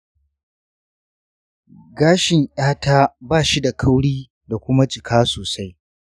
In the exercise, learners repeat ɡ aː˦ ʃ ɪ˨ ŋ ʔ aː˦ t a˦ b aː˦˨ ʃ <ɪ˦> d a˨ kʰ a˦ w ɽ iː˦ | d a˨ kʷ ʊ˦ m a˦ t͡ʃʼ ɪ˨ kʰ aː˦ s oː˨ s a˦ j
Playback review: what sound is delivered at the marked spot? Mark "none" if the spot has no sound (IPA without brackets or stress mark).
i˦